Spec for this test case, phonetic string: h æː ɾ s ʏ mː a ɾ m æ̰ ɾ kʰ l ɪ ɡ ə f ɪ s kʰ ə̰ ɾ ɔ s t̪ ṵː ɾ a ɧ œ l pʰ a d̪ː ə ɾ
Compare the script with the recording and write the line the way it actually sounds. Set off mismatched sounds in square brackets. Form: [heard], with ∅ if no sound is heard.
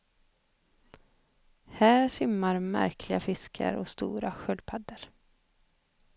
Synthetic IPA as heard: h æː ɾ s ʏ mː a ɾ m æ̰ ɾ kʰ l ɪ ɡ [a] f ɪ s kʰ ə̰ ɾ ɔ s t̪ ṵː ɾ a ɧ œ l pʰ a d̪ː ə ɾ